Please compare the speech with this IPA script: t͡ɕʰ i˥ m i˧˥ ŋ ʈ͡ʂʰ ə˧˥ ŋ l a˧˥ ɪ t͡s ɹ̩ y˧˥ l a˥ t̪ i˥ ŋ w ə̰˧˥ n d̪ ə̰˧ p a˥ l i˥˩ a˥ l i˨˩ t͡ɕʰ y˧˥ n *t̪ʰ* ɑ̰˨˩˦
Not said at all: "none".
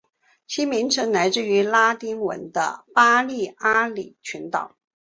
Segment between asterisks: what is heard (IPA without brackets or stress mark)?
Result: t̪